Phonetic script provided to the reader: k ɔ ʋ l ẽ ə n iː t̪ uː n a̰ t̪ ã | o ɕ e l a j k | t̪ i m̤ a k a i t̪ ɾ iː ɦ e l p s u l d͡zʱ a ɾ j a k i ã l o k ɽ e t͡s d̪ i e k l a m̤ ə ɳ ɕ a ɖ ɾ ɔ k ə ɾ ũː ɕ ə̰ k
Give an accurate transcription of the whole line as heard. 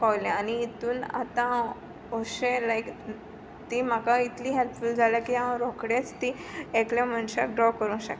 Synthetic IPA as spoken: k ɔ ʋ l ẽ a n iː t̪ uː n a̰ t̪ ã | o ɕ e l a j k | t̪ i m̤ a k a i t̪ l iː ɦ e l p f u l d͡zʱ a l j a k i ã ɾ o k ɽ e t͡s t̪ i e k l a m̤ ə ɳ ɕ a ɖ ɾ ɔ k ə ɾ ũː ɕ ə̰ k

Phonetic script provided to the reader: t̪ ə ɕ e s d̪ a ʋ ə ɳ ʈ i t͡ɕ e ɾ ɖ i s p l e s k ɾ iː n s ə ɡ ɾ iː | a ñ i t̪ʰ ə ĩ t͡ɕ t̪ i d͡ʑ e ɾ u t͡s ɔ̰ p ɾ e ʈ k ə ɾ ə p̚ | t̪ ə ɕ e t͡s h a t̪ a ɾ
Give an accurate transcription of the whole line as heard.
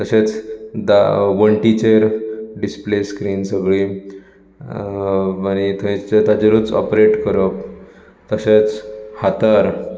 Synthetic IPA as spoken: t̪ ə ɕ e t͡s d̪ a ʋ ə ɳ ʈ i t͡ɕ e ɾ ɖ i s p l e s k ɾ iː n s ə ɡ ɭ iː | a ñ i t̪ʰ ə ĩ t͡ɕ t̪ a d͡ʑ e ɾ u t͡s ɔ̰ p ɾ e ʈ k ə ɾ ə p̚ | t̪ ə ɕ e t͡s h a t̪ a ɾ

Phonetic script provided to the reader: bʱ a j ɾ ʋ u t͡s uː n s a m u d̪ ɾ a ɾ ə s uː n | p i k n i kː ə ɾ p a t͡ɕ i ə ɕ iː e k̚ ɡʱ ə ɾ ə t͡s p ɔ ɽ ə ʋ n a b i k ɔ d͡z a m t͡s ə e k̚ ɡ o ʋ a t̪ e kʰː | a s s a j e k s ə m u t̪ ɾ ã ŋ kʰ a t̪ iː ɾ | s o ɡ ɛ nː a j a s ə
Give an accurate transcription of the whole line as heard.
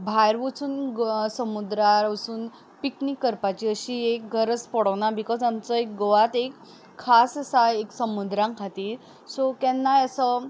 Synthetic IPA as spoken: bʱ a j ɾ ʋ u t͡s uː n s ə m u d̪ ɾ a ɾ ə s uː n | p i k n i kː ə ɾ p a t͡ɕ i ə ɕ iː e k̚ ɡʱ ə ɾ ə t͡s p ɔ ɽ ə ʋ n a b i k ɔ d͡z a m t͡s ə e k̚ ɡ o ʋ a t̪ e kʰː | a s s a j e k s ə m u d̪ ɾ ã ŋ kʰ a t̪ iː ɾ | s o k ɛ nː a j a s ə

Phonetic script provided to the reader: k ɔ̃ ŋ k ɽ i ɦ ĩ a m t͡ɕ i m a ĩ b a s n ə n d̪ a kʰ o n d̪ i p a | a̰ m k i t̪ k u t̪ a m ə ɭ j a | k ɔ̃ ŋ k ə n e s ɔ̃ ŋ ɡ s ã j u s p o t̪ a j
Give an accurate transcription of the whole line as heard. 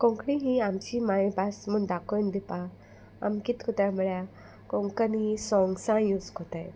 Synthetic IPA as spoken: k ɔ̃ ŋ k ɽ i ɦ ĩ a m t͡ɕ i m a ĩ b a s m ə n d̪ a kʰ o n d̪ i p a | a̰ m k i t̪ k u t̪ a m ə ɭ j a | k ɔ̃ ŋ k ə n i s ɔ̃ ŋ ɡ s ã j u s k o t̪ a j

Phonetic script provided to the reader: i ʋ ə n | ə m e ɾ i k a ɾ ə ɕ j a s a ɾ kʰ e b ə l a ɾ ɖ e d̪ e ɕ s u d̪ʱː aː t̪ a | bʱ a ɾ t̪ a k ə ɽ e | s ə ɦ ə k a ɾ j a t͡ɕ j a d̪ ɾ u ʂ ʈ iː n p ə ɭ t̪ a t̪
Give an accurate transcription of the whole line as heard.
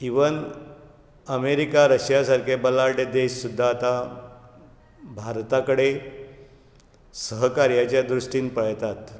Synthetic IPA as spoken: i ʋ ə n | ə m e ɾ i k a ɾ ə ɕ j a s a ɾ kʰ e b ə l a ɾ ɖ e d̪ e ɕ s u d̪ʱː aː t̪ a | bʱ a ɾ t̪ a k ə ɽ e | s ə ɦ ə k a ɾ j a t͡ɕ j a d̪ ɾ u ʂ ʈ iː n p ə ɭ t̪ a t̪

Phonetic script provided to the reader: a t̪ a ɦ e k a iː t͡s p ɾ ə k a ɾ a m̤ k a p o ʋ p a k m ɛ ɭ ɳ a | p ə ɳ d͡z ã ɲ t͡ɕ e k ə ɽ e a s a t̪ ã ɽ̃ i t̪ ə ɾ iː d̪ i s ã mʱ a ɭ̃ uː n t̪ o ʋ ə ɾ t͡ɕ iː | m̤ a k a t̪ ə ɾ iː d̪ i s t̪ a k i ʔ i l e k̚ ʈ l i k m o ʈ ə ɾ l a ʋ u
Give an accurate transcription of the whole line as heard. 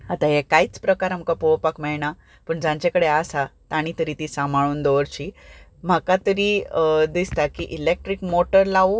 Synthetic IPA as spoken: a t̪ a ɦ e k a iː t͡s p ɾ ə k a ɾ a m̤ k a p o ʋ p a k m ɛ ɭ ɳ a | p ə ɳ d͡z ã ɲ t͡ɕ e k ə ɽ e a s a t̪ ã ɽ̃ i t̪ ə ɾ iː t̪ i s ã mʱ a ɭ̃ uː n d̪ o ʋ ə ɾ t͡ɕ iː | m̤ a k a t̪ ə ɾ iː d̪ i s t̪ a k i ʔ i l e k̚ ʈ ɾ i k m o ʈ ə ɾ l a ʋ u

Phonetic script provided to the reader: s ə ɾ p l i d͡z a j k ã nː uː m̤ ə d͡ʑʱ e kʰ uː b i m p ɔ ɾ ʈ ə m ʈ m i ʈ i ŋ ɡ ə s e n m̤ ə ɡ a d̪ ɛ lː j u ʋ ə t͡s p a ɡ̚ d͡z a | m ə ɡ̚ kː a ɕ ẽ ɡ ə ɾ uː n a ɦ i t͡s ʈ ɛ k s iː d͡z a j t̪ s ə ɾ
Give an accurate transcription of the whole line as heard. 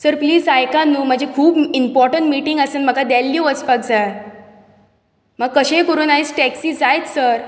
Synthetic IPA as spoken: s ə ɾ p l iː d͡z a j k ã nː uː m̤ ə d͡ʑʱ e kʰ uː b i m p ɔ ɾ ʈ ə ɳ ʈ m i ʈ i ŋ ɡ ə s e n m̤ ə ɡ a d̪ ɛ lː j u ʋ ə t͡s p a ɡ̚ d͡z a | m ə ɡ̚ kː ə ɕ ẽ k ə ɾ uː n a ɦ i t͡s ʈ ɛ k s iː d͡z a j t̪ s ə ɾ

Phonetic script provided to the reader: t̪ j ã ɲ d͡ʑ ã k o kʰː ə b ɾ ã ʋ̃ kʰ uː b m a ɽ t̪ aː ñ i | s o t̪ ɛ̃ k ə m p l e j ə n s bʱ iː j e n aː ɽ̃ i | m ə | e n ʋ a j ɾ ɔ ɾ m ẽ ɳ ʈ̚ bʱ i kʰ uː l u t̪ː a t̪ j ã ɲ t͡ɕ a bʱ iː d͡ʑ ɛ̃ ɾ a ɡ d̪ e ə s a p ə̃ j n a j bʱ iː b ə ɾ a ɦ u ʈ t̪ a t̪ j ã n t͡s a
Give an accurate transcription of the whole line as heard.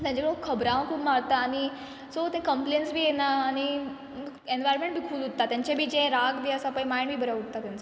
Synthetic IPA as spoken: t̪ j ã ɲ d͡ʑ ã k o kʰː ə b ɾ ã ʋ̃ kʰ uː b m a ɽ t̪ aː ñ i | s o t̪ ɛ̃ k ə m p l e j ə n s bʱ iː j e n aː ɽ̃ i | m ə | e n ʋ a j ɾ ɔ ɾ m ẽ ɳ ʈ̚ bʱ i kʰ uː l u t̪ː a t̪ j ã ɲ t͡ɕ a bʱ iː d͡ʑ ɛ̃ ɾ a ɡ d̪ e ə s a p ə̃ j m a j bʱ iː b ə ɾ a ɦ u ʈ t̪ a t̪ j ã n t͡s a

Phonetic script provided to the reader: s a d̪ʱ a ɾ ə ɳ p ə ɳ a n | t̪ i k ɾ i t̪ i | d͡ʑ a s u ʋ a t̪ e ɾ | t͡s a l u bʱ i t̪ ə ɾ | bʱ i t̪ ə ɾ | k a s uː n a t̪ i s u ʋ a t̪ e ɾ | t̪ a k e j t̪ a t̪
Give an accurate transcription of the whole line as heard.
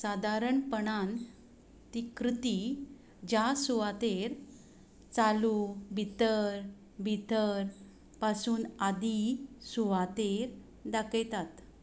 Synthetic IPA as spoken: s a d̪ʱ a ɾ ə ɳ p ə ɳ a n | t̪ i k ɾ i t̪ i | d͡ʑ a s u ʋ a t̪ e ɾ | t͡s a l u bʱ i t̪ ə ɾ | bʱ i t̪ ə ɾ | p a s uː n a d̪ i s u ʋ a t̪ e ɾ | d̪ a k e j t̪ a t̪

